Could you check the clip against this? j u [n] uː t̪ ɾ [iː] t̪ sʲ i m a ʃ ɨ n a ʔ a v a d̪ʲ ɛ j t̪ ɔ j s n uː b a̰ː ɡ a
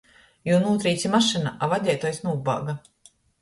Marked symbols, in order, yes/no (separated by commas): yes, yes